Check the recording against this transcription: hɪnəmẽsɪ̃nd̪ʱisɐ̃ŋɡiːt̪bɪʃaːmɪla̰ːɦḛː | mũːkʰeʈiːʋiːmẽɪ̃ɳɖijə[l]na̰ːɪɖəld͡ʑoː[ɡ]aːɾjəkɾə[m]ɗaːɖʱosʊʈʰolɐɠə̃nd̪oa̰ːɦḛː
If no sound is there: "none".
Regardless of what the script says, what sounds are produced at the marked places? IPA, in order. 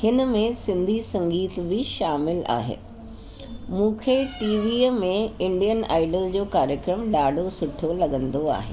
none, k, m

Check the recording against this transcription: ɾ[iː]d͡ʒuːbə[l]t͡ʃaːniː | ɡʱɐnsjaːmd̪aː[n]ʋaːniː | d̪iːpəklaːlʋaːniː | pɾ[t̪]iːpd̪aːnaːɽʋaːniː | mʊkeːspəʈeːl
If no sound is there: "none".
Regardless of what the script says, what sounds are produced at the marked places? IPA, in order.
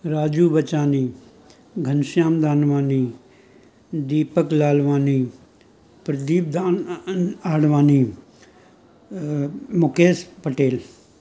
aː, none, n, d̪

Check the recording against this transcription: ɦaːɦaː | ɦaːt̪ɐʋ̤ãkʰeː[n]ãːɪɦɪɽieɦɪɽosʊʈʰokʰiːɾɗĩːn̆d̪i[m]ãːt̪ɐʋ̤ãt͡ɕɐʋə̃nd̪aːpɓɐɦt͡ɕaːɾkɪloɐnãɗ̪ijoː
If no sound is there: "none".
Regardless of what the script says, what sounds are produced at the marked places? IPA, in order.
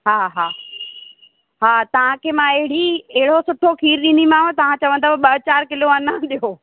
m, m

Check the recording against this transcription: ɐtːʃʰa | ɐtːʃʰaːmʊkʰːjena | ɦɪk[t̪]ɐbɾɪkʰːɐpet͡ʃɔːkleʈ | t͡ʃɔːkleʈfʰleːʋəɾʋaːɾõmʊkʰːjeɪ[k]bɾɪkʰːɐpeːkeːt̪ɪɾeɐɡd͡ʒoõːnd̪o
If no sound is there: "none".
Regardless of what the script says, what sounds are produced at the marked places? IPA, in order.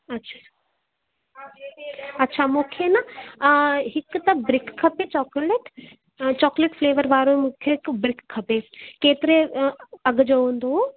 t̪, k

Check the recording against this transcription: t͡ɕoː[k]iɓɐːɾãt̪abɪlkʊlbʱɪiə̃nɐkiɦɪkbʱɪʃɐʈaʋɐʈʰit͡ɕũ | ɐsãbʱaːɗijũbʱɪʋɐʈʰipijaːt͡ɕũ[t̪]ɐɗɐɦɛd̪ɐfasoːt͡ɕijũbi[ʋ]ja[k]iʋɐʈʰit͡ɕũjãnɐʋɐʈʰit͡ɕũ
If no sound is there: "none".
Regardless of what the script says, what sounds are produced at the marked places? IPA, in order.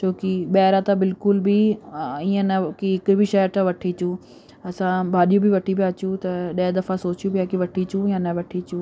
k, t̪, none, k

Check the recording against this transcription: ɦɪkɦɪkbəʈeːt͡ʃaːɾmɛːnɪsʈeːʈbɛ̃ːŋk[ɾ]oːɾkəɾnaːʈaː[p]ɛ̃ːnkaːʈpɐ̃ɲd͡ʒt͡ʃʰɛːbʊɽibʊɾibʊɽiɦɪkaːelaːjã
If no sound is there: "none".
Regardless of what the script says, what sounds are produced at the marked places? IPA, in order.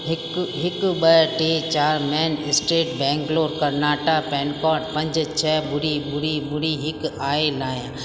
l, p

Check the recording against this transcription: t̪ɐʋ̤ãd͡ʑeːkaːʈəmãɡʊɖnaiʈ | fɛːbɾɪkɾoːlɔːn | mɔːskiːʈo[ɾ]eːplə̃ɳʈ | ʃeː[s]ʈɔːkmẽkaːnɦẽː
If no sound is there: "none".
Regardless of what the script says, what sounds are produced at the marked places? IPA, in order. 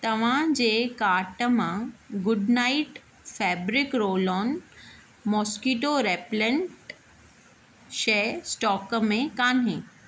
ɾ, s

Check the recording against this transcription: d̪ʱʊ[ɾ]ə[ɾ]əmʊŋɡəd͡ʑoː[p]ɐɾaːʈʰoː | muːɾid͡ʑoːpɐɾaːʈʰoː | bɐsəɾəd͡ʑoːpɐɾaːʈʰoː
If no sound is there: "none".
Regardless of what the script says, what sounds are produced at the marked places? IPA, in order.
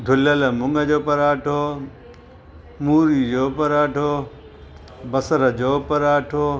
l, l, p

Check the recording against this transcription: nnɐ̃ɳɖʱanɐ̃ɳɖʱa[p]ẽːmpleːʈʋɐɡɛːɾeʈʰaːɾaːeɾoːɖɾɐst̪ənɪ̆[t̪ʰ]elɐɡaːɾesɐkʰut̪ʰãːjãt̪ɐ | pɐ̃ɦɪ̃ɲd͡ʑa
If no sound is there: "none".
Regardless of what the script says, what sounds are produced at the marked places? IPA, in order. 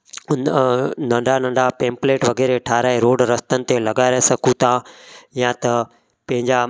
p, t̪

